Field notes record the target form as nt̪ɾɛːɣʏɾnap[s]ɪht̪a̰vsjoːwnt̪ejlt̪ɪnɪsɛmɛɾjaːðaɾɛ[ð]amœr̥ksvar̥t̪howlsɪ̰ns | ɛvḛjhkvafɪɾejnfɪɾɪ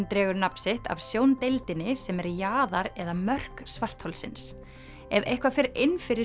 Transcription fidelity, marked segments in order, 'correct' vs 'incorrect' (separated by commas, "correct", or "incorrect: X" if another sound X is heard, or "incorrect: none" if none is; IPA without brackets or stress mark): correct, correct